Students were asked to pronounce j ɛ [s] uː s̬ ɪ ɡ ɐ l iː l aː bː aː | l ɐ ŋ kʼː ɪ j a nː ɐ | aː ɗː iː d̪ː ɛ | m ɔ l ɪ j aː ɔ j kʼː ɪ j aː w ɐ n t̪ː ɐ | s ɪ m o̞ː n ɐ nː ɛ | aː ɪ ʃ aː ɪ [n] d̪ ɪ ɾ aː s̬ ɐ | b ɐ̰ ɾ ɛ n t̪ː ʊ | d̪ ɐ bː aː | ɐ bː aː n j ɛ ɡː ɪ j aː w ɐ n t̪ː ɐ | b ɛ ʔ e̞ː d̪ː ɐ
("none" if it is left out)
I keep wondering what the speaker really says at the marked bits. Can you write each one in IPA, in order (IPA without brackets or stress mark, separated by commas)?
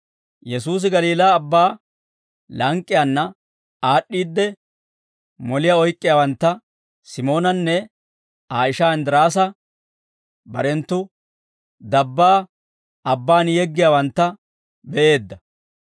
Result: s, n